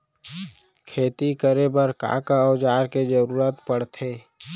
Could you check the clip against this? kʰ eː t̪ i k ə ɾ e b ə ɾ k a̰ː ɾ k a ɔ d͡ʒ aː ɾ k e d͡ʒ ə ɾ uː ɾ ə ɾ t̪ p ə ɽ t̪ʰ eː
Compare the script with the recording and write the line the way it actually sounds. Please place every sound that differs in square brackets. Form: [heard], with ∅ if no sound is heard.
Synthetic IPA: kʰ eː t̪ i k ə ɾ e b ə ɾ k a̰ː [∅] k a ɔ d͡ʒ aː ɾ k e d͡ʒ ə ɾ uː ɾ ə [∅] t̪ p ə ɽ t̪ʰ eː